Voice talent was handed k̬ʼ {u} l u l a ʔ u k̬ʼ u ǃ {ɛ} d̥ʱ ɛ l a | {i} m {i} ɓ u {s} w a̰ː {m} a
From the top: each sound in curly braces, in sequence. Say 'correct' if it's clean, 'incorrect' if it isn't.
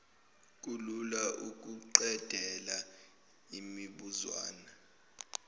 correct, correct, correct, correct, incorrect: z, incorrect: n

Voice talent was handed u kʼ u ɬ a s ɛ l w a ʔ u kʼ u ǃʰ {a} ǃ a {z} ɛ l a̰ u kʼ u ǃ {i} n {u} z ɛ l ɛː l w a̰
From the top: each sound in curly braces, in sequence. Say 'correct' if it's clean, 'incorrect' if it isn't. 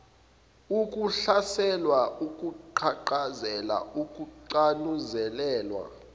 correct, correct, incorrect: a, correct

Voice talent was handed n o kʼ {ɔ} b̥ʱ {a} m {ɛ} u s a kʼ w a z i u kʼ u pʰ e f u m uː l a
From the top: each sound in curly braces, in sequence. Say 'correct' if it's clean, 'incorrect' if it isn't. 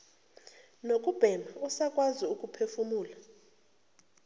incorrect: u, incorrect: ɛ, incorrect: a

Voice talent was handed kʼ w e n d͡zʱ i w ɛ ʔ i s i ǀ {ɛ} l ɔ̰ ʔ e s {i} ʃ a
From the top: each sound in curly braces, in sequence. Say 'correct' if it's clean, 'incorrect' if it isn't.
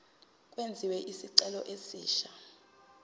correct, incorrect: iː

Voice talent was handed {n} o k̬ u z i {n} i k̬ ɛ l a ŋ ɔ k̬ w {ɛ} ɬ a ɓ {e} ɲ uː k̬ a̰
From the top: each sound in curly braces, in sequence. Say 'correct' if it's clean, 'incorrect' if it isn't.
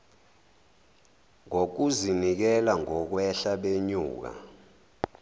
incorrect: ŋ, correct, correct, correct

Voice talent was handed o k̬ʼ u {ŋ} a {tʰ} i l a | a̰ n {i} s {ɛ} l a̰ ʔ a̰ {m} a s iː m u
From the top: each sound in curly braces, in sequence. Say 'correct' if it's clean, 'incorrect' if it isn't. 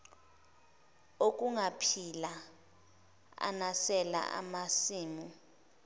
correct, incorrect: pʰ, incorrect: a, correct, correct

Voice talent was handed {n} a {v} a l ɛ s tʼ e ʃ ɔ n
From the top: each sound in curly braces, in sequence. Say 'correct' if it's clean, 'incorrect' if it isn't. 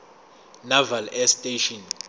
correct, correct

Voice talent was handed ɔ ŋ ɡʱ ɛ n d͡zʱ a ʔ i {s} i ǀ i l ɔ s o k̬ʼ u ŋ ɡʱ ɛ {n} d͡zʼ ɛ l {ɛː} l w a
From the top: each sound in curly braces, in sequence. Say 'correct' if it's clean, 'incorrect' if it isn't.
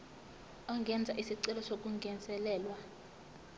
correct, correct, correct

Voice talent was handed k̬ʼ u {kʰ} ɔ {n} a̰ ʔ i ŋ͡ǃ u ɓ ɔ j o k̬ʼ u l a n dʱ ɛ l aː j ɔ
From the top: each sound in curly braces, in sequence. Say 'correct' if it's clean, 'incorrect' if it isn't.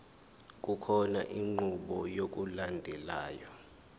correct, correct

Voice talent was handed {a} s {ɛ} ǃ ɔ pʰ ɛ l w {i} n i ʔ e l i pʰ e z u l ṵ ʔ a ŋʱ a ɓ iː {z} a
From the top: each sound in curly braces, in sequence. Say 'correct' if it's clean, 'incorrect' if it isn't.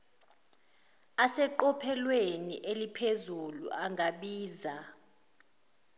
correct, correct, incorrect: e, correct

